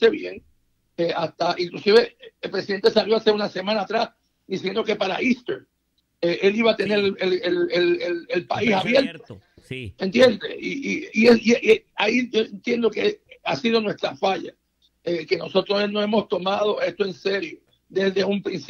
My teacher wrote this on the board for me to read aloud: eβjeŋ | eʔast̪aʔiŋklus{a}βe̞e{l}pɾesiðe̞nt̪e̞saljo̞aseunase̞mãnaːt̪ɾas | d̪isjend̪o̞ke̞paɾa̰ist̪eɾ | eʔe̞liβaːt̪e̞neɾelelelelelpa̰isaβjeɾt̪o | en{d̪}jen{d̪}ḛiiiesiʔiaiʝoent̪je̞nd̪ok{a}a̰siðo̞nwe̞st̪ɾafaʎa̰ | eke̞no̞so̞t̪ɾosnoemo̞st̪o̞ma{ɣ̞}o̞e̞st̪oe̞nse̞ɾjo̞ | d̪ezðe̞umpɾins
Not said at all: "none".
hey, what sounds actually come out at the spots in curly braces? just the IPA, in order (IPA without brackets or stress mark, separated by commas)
i, l, t̪, d̪, e, ð̞